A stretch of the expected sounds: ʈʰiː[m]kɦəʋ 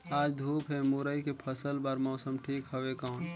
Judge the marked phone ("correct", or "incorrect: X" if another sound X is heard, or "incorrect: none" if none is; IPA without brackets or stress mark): incorrect: none